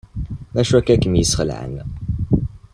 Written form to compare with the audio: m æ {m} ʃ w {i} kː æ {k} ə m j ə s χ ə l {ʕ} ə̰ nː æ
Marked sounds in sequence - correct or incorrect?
incorrect: none, incorrect: æ, correct, correct

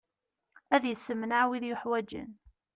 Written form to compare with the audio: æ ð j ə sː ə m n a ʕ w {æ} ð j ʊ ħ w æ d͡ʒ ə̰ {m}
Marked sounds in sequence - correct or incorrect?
incorrect: i, incorrect: n

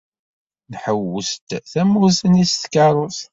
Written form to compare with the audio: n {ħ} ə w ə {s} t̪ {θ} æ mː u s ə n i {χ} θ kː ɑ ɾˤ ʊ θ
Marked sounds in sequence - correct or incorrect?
correct, correct, correct, incorrect: s

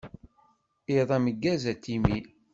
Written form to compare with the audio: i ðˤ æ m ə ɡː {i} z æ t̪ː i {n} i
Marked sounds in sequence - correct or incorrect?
incorrect: æ, incorrect: m

